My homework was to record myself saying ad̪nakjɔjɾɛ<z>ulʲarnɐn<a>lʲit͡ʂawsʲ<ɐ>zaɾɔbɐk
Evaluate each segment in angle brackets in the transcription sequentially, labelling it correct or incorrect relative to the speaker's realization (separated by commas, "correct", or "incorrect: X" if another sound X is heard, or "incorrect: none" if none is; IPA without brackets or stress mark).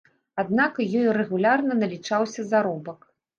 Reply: incorrect: ɣ, incorrect: ɐ, correct